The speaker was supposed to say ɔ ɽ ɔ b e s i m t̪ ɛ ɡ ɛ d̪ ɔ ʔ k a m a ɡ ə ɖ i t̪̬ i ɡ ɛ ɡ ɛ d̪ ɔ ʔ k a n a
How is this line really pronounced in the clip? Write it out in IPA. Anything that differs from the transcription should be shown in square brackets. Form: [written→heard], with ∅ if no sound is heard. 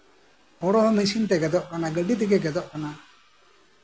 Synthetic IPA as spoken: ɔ ɽ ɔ [b→m] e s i [m→n] t̪ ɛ ɡ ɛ d̪ ɔ ʔ k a [m→n] a ɡ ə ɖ i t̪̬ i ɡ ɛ ɡ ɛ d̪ ɔ ʔ k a n a